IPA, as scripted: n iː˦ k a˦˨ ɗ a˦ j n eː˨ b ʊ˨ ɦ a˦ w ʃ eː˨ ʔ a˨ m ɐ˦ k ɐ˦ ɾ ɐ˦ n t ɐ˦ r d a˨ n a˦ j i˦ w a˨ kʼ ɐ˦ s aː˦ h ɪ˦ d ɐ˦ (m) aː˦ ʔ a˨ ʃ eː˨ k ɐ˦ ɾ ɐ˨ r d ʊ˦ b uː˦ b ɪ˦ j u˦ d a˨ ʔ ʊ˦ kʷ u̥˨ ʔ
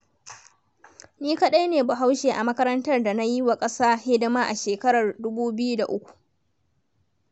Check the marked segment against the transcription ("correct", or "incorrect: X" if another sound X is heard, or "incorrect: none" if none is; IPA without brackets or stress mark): correct